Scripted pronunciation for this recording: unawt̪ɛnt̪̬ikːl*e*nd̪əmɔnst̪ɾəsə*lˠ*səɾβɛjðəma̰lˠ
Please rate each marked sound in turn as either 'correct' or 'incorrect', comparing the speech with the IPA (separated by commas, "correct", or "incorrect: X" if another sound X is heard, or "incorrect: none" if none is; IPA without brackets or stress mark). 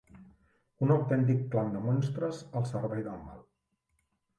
incorrect: a, correct